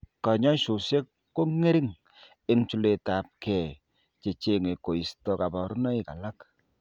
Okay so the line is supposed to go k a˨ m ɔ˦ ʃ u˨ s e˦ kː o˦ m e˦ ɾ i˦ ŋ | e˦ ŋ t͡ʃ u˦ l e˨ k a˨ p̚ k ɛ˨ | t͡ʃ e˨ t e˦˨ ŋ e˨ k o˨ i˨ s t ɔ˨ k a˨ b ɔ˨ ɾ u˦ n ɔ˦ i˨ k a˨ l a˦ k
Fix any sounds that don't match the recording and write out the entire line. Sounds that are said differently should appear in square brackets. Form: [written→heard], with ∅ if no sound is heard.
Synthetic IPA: k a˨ [m→ɲ] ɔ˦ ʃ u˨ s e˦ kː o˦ [m→ŋ] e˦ ɾ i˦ ŋ | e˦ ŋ t͡ʃ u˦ l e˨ [k→t] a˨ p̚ k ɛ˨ | t͡ʃ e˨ [t→t͡ʃ] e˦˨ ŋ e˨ k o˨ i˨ s t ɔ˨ k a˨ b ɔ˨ ɾ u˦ n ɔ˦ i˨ k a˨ l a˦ k